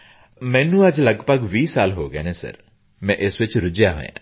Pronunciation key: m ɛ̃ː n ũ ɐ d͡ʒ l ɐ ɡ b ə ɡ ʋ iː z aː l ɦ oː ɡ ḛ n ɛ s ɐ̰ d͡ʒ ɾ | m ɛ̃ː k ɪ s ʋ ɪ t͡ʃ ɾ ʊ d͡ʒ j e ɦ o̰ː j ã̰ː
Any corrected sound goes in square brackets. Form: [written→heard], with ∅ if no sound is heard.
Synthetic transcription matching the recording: m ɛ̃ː n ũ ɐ d͡ʒ l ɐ ɡ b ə ɡ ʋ iː [z→s] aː l ɦ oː ɡ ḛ n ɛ s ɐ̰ [d͡ʒ→∅] ɾ | m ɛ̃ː [k→ʔ] ɪ s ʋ ɪ t͡ʃ ɾ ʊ d͡ʒ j [e→a] ɦ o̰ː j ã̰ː